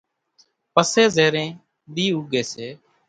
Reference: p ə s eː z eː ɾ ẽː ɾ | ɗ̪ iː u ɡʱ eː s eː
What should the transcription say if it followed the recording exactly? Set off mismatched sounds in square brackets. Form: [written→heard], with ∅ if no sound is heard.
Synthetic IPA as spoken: p ə s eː z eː ɾ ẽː [ɾ→∅] | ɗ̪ iː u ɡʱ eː s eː